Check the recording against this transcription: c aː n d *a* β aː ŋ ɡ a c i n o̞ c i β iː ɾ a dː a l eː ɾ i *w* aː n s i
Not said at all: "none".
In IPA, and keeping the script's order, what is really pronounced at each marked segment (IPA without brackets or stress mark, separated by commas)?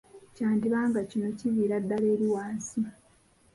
i, w